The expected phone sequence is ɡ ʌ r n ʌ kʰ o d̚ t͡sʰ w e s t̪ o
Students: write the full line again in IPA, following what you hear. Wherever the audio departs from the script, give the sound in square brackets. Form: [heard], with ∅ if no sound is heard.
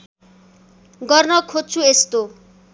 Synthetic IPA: ɡ ʌ r n ʌ kʰ o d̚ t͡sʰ [u] e s t̪ o